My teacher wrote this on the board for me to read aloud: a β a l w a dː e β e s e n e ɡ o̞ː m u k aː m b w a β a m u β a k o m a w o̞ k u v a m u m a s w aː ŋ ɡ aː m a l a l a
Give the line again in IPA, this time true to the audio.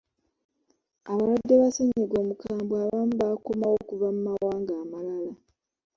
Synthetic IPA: a β a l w a dː e β a s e ɲ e ɡ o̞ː m u k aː m b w a β a m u β a k o m a w o̞ k u v a m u m a w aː ŋ ɡ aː m a l a l a